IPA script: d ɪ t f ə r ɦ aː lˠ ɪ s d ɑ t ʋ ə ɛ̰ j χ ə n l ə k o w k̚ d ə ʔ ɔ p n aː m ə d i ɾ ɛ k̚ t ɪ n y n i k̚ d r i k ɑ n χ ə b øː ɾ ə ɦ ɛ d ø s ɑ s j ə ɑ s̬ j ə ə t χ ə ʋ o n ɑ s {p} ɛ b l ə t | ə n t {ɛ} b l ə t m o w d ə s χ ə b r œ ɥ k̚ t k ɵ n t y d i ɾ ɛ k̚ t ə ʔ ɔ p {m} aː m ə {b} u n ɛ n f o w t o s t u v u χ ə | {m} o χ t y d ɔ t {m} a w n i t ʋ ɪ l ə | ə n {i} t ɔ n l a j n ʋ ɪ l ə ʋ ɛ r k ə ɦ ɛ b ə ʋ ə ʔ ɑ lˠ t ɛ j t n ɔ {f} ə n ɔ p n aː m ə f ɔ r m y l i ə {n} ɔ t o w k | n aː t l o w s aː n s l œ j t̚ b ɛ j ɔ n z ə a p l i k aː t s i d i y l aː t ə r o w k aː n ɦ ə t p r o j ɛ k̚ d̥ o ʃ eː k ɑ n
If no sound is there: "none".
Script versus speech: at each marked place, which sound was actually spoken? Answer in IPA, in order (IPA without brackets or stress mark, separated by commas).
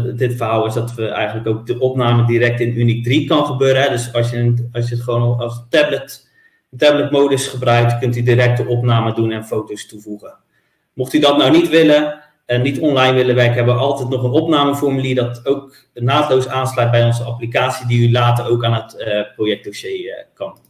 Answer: t, ɛ, n, d, m, n, i, χ, d